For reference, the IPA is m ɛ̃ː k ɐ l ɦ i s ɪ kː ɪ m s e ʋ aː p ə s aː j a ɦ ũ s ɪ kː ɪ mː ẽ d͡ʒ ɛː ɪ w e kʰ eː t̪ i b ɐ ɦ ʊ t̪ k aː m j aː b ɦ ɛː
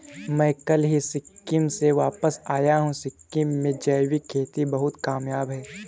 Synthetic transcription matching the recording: m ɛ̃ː k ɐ l ɦ i s ɪ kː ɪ m s e ʋ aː p ə s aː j a ɦ ũ s ɪ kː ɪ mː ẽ d͡ʒ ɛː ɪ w i kʰ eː t̪ i b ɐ ɦ ʊ t̪ k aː m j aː b ɦ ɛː